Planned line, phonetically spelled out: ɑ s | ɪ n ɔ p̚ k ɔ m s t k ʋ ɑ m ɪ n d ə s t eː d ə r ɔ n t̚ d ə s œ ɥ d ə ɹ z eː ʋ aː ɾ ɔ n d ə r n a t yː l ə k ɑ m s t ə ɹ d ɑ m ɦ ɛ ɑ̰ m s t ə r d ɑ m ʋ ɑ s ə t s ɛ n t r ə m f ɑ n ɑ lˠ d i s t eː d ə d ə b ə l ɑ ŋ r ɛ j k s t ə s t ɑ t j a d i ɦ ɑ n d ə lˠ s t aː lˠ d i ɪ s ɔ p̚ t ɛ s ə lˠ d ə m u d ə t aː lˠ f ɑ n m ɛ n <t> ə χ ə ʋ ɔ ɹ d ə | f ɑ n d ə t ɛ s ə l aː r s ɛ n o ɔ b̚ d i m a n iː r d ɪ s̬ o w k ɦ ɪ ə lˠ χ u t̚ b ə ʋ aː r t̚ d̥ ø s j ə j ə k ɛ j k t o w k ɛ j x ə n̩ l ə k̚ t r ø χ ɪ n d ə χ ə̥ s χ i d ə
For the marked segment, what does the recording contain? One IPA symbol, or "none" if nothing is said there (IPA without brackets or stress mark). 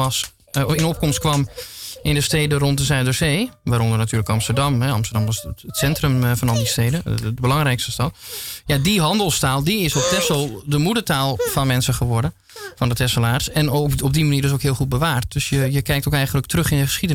s